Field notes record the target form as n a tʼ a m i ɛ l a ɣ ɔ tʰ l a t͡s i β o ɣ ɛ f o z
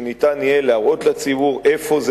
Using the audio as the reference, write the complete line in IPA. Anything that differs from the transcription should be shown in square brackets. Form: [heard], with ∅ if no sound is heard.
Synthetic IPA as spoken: n [i] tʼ a [n] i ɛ l a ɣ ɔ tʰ l a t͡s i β [u] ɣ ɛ f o z